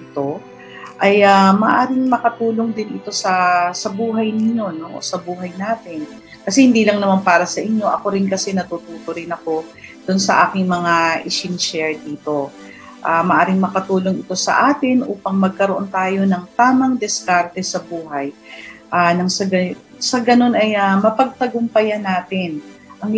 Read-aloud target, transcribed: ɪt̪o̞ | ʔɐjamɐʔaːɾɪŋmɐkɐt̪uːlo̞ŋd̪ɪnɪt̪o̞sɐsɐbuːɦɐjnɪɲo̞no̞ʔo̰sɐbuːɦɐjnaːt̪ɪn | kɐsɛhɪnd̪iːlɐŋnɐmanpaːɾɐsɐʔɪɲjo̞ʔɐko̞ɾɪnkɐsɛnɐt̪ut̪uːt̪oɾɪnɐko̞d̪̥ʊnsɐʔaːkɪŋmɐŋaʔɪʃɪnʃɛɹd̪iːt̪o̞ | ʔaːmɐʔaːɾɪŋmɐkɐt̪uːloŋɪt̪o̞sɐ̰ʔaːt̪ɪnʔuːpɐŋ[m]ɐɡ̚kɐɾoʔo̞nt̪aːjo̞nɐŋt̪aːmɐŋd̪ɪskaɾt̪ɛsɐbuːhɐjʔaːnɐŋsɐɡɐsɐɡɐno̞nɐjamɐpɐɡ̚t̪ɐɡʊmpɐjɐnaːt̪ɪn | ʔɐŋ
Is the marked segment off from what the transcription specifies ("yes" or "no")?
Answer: no